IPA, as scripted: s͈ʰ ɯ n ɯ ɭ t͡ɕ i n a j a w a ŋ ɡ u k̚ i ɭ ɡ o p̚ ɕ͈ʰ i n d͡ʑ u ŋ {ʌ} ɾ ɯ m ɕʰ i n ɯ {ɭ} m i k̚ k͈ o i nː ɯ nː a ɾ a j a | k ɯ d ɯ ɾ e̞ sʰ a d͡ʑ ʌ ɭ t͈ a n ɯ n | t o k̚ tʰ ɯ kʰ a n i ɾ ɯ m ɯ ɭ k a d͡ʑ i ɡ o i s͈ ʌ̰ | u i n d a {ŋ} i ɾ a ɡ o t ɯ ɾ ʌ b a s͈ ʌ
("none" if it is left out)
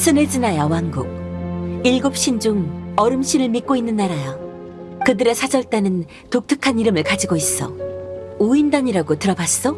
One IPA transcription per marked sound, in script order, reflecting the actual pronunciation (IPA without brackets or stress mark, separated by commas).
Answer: ʌ, ɭ, ɲ